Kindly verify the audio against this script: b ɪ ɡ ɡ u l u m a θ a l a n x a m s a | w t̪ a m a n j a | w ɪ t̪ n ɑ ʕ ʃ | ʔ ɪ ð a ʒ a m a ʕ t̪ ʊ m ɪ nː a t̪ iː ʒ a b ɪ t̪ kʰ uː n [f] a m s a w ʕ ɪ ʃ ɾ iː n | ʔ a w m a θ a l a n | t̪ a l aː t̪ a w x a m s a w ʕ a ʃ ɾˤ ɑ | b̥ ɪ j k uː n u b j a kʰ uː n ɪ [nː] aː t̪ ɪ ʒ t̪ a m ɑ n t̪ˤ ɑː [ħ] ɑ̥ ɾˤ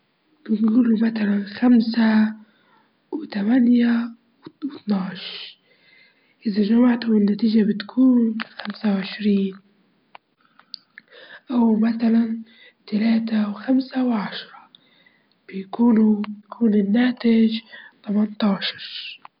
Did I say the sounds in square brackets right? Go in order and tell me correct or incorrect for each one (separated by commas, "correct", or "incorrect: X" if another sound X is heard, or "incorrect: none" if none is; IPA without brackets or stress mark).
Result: incorrect: x, correct, incorrect: ʃ